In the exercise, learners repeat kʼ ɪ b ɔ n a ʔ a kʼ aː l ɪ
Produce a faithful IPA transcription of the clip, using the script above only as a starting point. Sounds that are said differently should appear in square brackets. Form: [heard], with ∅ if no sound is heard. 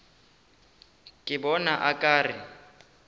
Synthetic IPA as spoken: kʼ ɪ b ɔ n a ʔ a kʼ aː [r] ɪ

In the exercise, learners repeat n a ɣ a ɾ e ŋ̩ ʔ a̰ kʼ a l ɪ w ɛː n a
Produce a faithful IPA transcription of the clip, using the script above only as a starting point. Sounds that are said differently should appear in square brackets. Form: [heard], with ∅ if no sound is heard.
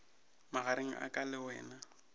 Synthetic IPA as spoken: [m] a ɣ a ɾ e ŋ̩ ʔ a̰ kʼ a l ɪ w ɛː n a

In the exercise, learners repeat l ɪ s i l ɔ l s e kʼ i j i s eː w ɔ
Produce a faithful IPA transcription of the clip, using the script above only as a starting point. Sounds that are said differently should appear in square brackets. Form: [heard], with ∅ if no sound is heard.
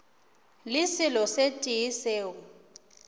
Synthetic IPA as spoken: l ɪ s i l ɔ [∅] s e [tʼ] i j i s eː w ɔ

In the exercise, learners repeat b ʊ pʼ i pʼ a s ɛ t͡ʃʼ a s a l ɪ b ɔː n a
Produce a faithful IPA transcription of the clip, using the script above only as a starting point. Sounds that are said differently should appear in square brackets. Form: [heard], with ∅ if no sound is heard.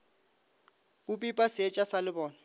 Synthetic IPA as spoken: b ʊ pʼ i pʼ a s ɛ t͡ʃʼ a s a l ɪ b ɔː n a

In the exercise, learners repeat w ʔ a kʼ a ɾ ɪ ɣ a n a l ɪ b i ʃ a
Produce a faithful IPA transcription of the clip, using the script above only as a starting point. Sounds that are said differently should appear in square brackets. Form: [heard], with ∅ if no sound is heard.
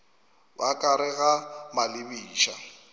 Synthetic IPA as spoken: w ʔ a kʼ a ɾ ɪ ɣ a [m] a l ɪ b [iː] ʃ a

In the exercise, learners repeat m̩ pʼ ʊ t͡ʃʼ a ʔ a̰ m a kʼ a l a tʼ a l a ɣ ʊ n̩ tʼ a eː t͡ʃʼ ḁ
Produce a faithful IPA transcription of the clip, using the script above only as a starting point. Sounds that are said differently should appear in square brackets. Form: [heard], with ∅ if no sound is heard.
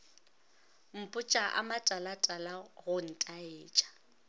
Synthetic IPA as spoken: m̩ pʼ ʊ t͡ʃʼ a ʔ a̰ m a [tʼ] a l a tʼ a l a ɣ ʊ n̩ tʼ a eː t͡ʃʼ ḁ

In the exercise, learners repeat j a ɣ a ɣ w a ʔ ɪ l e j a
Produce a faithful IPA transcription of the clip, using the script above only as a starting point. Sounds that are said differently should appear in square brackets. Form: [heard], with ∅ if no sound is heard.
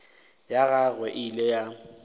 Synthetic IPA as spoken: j a ɣ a ɣ w [ɛ] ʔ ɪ l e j a

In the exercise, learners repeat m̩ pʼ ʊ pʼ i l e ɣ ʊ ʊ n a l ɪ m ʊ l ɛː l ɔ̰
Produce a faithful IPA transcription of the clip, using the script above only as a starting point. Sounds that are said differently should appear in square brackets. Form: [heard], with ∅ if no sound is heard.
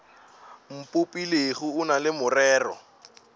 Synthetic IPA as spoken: m̩ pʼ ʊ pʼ i l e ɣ ʊ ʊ n a l ɪ m ʊ [r] ɛː [r] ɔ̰

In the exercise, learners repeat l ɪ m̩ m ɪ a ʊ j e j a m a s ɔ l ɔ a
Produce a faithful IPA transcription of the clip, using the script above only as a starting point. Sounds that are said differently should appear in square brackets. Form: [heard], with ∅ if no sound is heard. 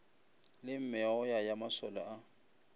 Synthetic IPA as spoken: l ɪ m̩ m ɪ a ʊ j [a] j a m a s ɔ l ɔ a

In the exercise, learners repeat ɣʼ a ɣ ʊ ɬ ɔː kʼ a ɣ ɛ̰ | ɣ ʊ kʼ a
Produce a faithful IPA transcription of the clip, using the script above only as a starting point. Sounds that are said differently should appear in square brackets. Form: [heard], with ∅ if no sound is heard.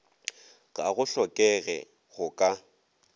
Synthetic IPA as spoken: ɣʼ a ɣ ʊ ɬ [ɔ] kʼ [ɛ] ɣ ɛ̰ | ɣ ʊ kʼ a

